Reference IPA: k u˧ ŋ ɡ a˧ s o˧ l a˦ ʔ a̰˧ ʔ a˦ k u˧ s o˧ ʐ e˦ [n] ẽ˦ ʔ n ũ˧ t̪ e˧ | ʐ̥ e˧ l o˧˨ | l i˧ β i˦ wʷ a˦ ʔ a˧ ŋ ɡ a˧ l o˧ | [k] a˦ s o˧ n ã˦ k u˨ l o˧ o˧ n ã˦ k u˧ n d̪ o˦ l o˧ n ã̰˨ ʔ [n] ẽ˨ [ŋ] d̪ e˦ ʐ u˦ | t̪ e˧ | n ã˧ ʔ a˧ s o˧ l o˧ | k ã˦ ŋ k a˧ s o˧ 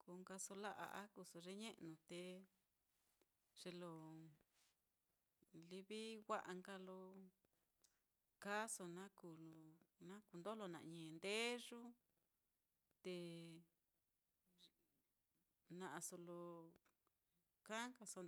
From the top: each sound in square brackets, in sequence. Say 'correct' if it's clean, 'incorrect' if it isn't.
incorrect, correct, incorrect, incorrect

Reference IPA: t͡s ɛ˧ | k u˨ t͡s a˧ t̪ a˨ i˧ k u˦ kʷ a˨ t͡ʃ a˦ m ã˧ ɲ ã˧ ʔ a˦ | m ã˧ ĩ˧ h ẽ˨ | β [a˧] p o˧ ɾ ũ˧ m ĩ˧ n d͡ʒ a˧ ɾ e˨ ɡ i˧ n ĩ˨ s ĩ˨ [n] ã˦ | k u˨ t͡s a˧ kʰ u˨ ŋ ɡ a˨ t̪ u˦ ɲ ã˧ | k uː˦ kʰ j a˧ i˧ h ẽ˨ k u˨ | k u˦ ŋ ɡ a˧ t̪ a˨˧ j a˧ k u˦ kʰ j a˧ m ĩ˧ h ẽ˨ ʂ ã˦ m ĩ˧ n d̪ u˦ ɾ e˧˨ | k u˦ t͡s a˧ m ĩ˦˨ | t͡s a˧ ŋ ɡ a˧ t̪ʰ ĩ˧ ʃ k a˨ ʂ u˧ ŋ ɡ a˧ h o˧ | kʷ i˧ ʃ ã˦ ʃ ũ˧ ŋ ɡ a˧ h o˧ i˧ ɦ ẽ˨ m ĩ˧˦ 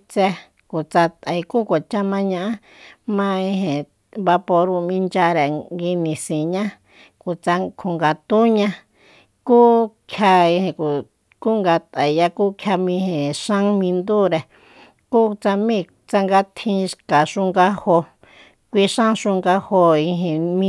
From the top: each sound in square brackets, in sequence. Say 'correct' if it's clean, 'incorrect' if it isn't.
correct, incorrect

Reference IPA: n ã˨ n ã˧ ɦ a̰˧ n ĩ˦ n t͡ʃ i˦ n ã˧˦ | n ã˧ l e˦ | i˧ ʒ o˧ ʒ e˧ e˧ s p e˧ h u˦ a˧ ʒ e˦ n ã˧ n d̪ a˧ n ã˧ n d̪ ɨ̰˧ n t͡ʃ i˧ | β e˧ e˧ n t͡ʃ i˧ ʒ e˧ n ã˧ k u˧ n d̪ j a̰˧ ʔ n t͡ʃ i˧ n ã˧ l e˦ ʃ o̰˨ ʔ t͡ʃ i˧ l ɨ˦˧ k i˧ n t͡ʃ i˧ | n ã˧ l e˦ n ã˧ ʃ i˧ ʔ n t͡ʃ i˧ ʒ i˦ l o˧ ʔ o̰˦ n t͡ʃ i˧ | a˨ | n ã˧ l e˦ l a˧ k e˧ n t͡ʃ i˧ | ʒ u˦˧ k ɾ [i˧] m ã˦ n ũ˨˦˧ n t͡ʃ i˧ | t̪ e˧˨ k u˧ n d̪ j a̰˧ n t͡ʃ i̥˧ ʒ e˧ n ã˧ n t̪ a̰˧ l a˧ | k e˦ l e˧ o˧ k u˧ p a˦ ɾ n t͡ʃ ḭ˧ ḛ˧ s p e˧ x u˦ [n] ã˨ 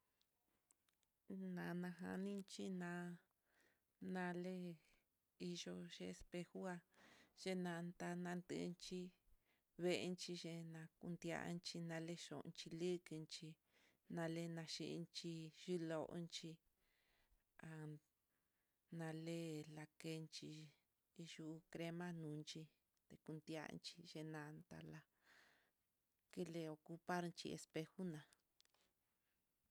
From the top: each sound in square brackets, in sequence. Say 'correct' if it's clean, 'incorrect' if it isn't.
incorrect, correct

